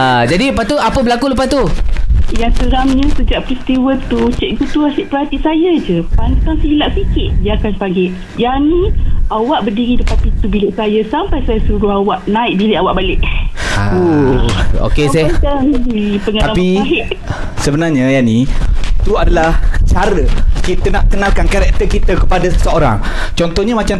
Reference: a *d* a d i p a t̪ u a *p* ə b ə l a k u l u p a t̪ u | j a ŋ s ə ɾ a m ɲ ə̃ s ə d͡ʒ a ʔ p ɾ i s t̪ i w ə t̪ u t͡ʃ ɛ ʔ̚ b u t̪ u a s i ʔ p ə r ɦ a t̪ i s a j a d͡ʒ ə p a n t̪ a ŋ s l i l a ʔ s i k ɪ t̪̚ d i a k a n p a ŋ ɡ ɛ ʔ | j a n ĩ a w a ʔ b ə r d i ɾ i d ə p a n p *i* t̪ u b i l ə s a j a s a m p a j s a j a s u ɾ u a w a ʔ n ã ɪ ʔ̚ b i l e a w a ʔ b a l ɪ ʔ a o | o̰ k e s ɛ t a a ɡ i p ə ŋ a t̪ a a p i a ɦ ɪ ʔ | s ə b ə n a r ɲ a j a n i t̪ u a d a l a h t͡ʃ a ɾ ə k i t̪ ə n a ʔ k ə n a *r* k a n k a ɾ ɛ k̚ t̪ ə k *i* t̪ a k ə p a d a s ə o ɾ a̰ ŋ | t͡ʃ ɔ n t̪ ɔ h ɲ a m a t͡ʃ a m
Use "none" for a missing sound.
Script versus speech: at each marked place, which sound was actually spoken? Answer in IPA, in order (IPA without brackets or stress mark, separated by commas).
d͡ʒ, p, i, l, i